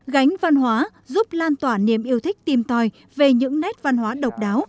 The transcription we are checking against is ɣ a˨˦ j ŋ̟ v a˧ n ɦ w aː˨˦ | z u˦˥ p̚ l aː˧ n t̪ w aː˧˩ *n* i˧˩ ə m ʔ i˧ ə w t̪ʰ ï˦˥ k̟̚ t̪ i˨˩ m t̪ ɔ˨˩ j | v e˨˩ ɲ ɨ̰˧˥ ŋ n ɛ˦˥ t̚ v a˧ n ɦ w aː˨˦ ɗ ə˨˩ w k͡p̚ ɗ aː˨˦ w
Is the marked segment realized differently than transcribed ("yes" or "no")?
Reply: no